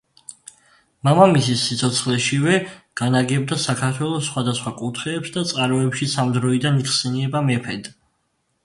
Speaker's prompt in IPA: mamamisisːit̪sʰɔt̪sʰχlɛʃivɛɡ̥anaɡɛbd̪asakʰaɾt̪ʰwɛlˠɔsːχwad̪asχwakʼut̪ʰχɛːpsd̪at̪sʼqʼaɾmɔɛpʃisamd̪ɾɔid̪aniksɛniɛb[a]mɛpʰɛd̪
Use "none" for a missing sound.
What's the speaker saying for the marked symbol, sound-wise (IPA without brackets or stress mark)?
a